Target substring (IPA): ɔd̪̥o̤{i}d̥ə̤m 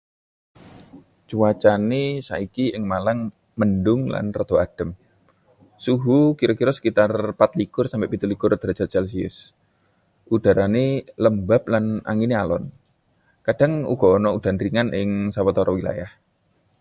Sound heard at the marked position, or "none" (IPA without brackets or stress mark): a